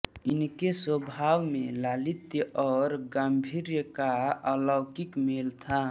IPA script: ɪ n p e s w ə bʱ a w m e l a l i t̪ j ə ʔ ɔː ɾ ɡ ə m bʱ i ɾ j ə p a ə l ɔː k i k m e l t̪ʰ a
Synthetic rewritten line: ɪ n k e s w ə bʱ a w m e l a l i t̪ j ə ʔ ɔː ɾ ɡ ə m bʱ i ɾ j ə k a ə l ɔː k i k m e l t̪ʰ a